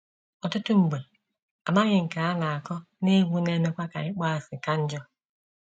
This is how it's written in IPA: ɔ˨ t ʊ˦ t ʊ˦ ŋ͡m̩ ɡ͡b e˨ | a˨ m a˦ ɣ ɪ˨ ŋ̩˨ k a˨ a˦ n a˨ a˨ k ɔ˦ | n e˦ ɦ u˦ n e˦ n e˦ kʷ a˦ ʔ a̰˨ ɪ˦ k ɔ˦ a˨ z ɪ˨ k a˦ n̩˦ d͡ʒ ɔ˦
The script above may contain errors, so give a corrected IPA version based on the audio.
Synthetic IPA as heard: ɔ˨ t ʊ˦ t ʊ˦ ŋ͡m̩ ɡ͡b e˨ | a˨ m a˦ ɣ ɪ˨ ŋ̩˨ k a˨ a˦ n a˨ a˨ k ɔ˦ | n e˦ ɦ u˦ n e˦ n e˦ kʷ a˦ k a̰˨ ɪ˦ k͡p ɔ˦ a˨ s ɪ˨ k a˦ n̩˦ d͡ʒ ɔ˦